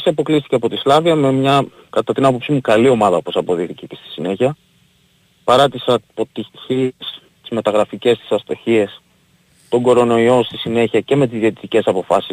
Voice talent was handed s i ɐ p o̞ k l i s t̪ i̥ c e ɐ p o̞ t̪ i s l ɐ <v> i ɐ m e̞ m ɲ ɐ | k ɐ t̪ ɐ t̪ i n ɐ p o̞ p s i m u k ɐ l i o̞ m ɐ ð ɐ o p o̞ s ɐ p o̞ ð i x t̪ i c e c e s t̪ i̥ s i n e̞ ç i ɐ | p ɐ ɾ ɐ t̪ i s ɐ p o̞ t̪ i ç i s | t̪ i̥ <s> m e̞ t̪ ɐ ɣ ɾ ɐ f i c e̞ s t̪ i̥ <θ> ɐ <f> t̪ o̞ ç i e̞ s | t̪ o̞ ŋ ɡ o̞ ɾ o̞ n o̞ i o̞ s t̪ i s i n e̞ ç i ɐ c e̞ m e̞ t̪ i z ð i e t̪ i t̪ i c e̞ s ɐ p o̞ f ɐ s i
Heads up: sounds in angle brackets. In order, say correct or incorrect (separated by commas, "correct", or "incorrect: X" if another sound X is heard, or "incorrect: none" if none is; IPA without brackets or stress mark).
correct, incorrect: z, incorrect: s, incorrect: s